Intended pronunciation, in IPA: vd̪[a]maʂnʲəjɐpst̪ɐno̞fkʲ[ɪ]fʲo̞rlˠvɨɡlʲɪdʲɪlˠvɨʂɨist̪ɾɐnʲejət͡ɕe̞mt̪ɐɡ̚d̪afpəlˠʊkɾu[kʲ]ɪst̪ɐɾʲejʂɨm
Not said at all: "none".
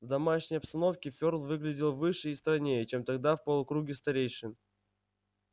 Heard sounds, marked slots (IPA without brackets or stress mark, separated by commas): ɐ, ɪ, ɡʲ